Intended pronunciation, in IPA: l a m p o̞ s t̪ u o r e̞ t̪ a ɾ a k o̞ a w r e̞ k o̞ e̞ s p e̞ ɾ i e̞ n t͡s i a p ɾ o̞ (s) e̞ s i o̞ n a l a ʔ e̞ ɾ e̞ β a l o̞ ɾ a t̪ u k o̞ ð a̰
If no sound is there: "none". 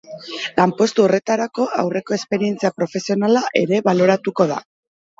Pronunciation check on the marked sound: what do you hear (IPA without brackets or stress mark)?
f